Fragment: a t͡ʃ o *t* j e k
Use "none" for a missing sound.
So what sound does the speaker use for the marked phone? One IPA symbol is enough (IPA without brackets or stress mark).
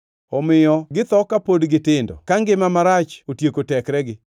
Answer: t